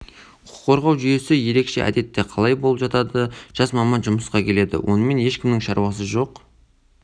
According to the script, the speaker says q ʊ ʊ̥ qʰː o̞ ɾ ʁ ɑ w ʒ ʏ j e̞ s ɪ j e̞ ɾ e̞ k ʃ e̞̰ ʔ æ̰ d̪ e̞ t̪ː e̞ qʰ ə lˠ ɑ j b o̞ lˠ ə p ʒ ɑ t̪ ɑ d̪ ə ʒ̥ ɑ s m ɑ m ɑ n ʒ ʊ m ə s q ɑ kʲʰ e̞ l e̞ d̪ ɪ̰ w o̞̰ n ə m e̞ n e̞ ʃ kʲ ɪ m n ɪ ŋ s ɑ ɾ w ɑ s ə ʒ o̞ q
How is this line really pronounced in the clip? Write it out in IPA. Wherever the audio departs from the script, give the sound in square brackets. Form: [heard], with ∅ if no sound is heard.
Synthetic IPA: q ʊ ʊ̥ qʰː o̞ ɾ ʁ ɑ w ʒ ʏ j e̞ s ɪ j e̞ ɾ e̞ k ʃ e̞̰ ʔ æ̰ d̪ e̞ t̪ː e̞ qʰ [ɑ] lˠ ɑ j b o̞ lˠ ə p ʒ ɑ t̪ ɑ d̪ ə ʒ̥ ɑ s m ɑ m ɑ n ʒ ʊ m ə s q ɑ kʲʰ e̞ l e̞ d̪ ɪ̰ w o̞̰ n ə m e̞ n e̞ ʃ kʲ ɪ m n ɪ ŋ [ʃ] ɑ ɾ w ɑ s ə ʒ o̞ q